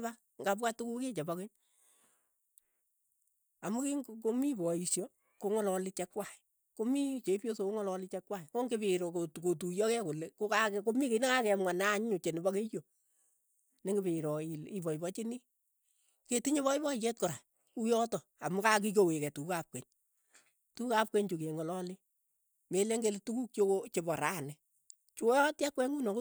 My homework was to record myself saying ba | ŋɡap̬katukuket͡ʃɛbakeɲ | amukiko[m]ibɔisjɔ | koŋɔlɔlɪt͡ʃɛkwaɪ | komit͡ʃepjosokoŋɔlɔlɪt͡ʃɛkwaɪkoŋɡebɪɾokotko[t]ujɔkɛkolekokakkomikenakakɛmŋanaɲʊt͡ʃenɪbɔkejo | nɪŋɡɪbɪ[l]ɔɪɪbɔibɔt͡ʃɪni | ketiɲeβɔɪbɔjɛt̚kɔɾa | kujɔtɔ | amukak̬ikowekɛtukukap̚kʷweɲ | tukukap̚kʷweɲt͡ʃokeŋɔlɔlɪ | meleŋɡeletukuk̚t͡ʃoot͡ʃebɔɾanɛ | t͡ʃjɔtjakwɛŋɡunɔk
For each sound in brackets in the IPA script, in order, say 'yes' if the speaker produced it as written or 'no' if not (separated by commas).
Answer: yes, yes, no